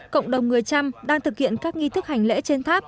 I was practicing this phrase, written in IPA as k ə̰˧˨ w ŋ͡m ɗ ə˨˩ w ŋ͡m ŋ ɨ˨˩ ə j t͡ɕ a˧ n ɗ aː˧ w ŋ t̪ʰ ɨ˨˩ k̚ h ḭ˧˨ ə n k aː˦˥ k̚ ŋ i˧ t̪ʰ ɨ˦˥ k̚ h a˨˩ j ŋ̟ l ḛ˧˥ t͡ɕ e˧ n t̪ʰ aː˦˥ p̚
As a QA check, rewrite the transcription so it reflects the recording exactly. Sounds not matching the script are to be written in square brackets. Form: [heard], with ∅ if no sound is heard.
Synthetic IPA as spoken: k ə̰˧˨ w ŋ͡m ɗ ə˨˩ w ŋ͡m ŋ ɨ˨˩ ə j t͡ɕ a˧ [m] ɗ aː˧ [∅] ŋ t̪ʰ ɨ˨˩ k̚ h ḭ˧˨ ə n k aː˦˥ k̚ ŋ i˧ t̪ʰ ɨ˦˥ k̚ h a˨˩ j ŋ̟ l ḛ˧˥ t͡ɕ e˧ n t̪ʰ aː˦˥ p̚